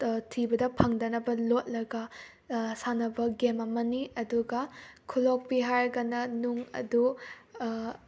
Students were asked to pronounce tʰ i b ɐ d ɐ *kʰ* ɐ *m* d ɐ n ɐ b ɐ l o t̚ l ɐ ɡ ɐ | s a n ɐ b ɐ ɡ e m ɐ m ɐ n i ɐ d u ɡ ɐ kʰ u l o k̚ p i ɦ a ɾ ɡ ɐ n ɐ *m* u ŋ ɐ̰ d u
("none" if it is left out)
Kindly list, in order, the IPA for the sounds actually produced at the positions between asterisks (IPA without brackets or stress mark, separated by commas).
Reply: pʰ, ŋ, n